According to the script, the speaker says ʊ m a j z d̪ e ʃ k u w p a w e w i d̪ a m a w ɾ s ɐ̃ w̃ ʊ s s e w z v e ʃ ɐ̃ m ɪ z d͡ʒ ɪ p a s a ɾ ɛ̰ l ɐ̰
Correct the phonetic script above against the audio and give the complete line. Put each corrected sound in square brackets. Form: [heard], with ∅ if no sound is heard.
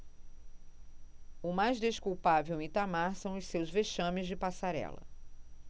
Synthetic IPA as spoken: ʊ m a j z d̪ e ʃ k u w p a [v] e w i [t̪] a m a [∅] ɾ s ɐ̃ w̃ ʊ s s e w z v e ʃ ɐ̃ m ɪ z d͡ʒ ɪ p a s a ɾ ɛ̰ l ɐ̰